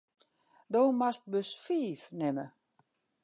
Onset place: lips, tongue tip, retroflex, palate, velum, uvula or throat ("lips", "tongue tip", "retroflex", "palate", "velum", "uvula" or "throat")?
tongue tip